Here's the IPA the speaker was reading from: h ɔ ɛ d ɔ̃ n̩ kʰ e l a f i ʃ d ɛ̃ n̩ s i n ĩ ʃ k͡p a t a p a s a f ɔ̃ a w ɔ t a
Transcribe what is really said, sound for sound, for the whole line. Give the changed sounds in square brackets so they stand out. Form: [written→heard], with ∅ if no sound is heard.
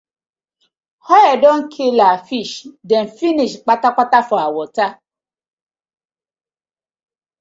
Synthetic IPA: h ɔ ɛ d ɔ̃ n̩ kʰ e l a f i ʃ d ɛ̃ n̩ [s→f] i n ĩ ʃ k͡p a t a [p→k͡p] a [s→t] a f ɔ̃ a w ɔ t a